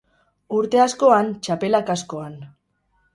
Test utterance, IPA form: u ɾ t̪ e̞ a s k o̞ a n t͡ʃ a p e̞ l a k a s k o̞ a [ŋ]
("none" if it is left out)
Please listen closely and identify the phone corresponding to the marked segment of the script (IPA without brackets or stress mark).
n